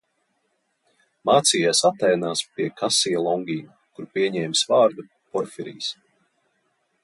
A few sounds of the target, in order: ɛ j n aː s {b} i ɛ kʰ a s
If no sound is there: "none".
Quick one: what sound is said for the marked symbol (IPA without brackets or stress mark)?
p